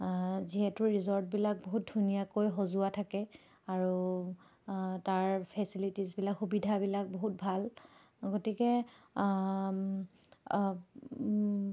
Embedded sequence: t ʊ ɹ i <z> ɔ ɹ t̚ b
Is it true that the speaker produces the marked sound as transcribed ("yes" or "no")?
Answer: yes